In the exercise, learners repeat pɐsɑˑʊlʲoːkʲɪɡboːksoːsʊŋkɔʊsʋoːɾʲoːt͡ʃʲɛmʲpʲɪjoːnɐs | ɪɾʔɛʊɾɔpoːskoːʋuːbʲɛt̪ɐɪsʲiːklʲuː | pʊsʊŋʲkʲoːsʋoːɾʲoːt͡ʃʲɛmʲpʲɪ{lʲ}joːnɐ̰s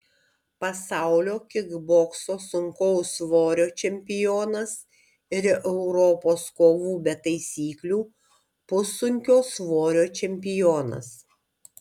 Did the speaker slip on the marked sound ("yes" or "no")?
yes